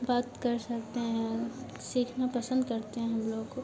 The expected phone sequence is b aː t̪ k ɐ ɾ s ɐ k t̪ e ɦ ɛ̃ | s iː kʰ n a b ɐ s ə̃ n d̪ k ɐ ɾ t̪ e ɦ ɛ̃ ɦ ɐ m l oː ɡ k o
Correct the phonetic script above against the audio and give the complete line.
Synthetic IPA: b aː t̪ k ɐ ɾ s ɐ k t̪ e ɦ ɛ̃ | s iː kʰ n a p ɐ s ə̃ n d̪ k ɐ ɾ t̪ e ɦ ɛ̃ ɦ ɐ m l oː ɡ k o